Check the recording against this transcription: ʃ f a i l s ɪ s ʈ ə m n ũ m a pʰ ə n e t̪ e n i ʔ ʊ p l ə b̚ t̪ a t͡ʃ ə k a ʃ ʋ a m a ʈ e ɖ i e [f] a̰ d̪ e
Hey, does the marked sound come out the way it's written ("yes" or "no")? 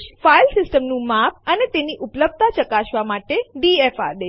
yes